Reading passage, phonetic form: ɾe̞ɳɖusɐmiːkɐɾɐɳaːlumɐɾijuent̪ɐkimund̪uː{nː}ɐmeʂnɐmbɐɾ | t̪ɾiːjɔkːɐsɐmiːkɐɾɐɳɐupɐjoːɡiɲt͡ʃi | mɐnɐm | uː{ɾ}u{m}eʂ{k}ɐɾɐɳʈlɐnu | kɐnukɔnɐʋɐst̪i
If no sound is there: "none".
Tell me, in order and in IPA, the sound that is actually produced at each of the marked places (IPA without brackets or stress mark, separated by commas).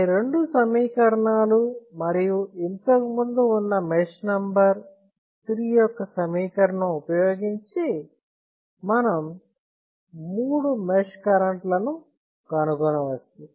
nː, ɽ, m, k